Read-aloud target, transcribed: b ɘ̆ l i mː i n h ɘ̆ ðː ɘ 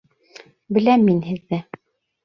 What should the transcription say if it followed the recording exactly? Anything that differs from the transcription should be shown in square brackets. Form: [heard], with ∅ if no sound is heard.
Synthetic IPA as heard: b ɘ̆ l [æ] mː i n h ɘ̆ ðː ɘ